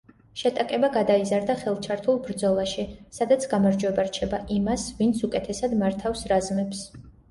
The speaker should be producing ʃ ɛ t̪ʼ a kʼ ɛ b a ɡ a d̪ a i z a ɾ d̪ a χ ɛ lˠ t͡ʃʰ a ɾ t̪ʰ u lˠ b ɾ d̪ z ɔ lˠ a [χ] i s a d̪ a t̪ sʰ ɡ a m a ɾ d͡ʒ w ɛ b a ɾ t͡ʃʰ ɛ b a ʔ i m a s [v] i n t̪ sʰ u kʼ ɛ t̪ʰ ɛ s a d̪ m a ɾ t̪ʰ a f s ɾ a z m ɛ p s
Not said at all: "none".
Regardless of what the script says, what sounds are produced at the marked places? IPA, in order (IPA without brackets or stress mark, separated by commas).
ʃ, v